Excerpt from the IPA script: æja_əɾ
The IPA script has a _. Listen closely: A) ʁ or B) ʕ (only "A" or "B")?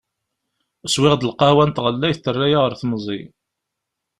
A